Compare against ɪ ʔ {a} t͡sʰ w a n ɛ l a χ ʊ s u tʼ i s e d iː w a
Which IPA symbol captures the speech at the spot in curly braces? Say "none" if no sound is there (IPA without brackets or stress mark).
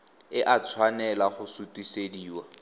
a